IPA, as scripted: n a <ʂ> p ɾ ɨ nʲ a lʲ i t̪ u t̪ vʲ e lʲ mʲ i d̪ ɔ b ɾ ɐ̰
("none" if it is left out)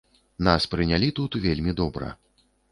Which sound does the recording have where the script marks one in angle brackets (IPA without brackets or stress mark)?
s